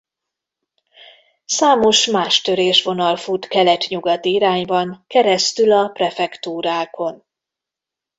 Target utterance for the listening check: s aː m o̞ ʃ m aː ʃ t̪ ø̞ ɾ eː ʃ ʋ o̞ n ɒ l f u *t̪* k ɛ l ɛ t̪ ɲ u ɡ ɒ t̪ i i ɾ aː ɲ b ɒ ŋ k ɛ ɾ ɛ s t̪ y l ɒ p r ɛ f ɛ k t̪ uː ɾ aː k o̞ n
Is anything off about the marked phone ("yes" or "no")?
no